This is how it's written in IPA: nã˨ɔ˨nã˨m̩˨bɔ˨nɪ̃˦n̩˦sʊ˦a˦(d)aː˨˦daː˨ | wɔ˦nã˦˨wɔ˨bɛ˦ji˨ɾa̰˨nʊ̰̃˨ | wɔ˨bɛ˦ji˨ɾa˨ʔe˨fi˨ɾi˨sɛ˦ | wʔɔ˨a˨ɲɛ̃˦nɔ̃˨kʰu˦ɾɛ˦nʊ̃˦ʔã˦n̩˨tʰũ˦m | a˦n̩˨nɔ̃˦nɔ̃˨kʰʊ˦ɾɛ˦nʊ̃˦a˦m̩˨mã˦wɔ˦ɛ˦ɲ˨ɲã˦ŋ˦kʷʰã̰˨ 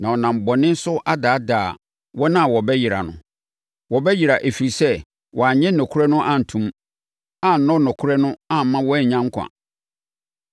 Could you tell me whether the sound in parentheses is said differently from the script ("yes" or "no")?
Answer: no